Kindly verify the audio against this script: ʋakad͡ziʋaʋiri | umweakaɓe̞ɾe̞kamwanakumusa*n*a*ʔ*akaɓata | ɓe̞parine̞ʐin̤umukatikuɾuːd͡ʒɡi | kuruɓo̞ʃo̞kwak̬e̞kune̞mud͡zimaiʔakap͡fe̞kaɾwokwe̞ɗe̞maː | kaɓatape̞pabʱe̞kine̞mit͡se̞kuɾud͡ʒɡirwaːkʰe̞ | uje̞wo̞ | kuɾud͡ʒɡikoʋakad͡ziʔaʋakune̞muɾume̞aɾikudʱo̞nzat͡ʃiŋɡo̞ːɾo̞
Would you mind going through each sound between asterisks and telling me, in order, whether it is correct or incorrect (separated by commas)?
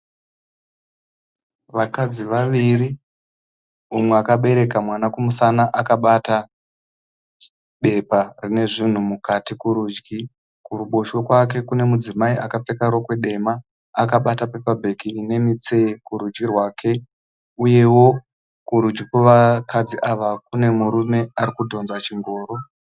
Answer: correct, correct